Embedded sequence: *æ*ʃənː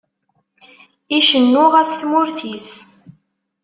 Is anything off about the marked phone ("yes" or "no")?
yes